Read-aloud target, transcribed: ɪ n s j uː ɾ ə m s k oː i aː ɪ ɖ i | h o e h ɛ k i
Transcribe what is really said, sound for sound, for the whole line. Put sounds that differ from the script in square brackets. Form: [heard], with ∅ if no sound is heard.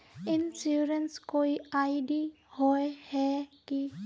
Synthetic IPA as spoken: ɪ n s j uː ɾ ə [n] s k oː i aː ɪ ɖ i | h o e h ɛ k i